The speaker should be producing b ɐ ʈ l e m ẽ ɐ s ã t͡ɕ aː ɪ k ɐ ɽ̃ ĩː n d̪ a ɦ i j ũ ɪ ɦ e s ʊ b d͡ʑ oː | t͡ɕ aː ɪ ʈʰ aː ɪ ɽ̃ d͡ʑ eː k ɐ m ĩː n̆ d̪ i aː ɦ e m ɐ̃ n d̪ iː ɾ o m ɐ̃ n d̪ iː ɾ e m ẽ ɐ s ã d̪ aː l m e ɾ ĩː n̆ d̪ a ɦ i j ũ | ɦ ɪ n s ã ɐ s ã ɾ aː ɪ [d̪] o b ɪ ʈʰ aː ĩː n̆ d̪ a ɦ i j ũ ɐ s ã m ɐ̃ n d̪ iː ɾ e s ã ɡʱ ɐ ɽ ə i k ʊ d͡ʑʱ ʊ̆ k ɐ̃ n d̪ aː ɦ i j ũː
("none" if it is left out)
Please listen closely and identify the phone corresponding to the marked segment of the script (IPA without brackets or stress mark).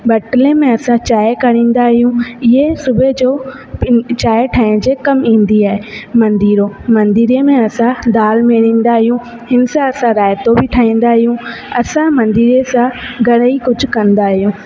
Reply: t̪